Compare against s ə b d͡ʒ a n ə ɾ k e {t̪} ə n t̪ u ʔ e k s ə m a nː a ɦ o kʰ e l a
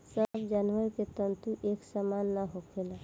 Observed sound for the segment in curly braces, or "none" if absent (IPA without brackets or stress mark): t̪